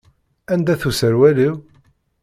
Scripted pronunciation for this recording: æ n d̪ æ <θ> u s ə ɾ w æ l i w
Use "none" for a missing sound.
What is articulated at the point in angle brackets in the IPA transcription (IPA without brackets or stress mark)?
θ